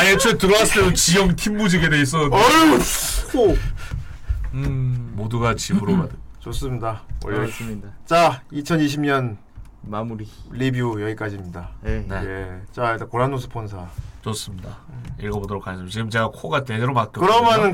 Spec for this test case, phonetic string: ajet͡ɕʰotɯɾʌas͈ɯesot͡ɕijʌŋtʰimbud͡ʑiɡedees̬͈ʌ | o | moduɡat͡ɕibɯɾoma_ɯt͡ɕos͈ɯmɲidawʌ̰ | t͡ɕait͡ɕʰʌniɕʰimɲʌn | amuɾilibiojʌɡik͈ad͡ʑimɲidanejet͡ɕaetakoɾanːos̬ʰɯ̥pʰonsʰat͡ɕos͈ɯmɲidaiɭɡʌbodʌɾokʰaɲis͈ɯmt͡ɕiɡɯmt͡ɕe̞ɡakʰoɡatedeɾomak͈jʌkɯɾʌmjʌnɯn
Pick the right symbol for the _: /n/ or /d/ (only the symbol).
d